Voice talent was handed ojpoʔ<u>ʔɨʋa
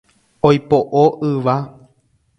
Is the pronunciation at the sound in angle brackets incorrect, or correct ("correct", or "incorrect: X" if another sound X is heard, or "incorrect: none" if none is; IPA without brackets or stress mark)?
incorrect: o